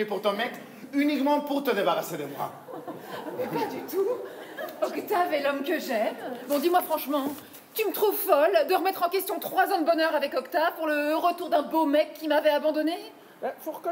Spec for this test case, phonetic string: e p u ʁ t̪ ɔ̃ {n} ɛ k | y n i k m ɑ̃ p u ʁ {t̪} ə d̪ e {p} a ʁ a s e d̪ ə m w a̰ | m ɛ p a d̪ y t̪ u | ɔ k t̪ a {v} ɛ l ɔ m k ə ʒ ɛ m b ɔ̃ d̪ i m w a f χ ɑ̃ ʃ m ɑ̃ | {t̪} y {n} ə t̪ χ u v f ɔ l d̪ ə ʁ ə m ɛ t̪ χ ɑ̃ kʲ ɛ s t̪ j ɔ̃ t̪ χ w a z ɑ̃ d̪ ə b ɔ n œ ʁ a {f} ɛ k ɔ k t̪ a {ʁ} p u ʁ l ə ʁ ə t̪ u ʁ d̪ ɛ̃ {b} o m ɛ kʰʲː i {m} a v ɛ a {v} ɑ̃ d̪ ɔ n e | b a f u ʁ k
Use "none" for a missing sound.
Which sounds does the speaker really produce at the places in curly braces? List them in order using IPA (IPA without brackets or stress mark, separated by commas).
m, t̪, b, v, t̪, m, v, v, b, m, b